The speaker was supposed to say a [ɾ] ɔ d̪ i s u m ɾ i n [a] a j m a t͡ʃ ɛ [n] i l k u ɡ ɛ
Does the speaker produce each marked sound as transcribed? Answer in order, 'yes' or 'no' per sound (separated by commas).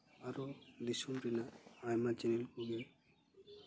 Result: yes, yes, yes